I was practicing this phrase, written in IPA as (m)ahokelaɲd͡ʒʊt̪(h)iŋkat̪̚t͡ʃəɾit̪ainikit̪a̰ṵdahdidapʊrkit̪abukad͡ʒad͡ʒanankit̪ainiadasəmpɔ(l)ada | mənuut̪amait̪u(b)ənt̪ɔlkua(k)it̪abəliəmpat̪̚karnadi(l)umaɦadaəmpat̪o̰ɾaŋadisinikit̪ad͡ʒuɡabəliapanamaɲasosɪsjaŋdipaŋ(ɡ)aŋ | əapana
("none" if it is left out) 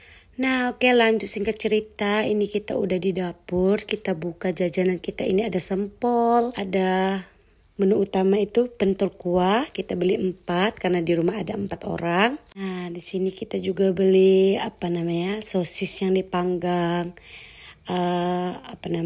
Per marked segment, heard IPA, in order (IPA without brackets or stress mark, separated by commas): n, s, l, p, k, ɾ, ɡ